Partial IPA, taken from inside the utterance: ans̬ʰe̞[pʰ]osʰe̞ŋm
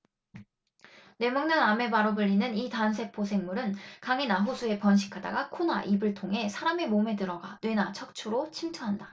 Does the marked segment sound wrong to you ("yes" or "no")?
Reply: no